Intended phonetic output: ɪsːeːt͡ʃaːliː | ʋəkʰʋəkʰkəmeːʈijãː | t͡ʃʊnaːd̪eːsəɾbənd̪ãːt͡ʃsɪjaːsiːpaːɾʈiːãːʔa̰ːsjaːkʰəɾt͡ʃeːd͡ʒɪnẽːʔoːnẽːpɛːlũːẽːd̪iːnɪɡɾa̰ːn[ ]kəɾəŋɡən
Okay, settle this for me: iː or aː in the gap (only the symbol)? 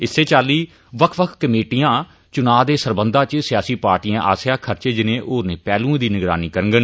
iː